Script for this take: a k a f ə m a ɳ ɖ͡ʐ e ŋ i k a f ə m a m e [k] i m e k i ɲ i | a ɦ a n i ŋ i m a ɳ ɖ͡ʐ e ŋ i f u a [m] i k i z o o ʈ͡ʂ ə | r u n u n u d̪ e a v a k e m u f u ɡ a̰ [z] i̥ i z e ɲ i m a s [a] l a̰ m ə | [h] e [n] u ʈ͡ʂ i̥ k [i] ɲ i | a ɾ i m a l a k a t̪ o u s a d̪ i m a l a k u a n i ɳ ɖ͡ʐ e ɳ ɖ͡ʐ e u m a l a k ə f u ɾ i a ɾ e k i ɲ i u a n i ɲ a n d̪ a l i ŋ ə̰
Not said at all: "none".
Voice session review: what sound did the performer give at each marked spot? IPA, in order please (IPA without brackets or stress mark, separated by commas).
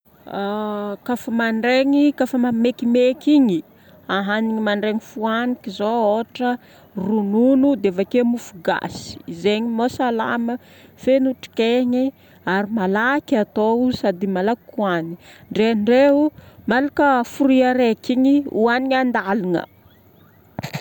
k, n, s, a, f, n, e